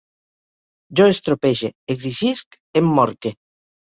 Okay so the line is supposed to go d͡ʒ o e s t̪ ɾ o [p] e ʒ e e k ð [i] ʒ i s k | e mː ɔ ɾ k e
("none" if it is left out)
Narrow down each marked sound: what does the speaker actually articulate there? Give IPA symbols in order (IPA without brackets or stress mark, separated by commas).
p, i